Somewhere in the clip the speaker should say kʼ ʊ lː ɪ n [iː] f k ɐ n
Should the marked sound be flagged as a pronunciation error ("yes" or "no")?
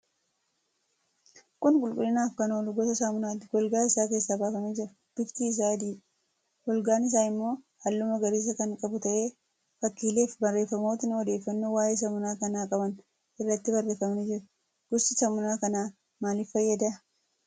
yes